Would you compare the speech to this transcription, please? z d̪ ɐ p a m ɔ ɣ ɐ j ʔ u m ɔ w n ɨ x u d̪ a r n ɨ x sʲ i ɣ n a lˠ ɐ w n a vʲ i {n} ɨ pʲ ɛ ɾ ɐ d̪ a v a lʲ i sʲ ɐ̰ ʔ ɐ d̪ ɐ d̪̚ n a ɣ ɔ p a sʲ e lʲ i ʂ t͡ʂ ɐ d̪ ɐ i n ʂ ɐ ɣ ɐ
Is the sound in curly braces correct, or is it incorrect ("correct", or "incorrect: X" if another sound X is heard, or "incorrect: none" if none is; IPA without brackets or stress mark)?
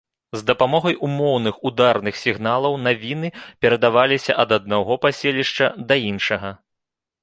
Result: correct